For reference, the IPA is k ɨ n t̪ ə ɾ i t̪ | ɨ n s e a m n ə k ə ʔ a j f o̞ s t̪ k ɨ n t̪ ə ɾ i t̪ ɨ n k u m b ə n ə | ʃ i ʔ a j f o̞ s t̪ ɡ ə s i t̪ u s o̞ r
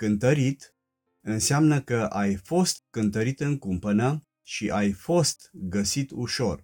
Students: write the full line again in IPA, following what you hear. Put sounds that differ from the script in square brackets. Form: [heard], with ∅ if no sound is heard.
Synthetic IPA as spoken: k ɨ n t̪ ə ɾ i t̪ | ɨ n s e a m n ə k ə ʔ a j f o̞ s t̪ k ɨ n t̪ ə ɾ i t̪ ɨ [ŋ] k u m [p] ə n ə | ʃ i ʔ a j f o̞ s t̪ ɡ ə s i t̪ u [ʃ] o̞ r